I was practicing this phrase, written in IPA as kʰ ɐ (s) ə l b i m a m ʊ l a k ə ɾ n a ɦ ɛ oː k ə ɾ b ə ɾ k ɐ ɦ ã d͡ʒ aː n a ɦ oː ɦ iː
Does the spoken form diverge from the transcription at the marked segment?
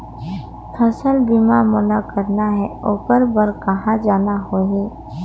no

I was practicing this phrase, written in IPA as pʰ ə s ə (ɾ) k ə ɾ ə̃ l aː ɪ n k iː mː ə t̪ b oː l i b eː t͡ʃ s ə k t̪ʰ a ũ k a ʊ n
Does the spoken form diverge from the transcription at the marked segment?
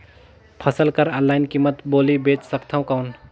yes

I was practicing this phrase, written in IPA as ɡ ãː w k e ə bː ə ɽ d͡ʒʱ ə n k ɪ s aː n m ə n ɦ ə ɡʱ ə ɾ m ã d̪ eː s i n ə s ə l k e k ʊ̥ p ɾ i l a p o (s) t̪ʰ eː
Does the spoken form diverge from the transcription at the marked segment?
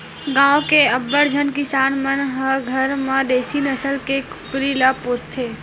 no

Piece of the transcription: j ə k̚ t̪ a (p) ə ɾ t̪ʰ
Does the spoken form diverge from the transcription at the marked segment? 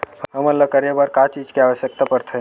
no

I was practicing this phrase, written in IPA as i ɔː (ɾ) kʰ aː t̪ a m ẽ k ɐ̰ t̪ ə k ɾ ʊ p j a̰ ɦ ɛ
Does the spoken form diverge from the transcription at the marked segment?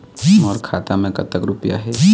no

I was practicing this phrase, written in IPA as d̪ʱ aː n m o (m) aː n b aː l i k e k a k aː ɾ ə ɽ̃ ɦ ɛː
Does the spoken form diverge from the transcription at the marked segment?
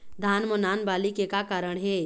yes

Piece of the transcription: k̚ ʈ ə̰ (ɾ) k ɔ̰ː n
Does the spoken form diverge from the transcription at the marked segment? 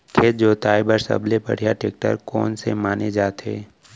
no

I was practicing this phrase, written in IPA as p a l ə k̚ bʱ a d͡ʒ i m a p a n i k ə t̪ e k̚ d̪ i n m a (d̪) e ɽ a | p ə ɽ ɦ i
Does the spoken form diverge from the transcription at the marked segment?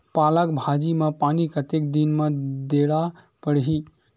no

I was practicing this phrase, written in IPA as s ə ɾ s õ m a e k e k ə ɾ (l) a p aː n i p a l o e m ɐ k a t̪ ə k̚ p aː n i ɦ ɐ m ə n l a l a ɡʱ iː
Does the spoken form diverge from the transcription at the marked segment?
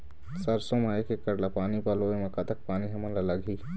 no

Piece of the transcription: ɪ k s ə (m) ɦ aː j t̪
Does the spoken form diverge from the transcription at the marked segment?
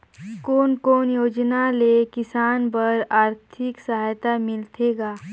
yes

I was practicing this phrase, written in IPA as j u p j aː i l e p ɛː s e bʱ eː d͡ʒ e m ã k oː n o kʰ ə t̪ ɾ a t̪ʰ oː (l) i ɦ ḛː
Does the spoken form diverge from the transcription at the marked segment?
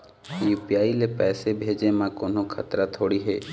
yes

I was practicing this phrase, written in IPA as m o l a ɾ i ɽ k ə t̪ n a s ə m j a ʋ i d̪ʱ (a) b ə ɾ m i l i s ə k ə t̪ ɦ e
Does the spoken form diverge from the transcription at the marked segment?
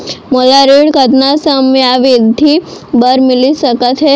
yes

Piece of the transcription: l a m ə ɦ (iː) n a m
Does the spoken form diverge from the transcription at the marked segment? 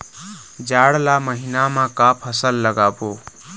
yes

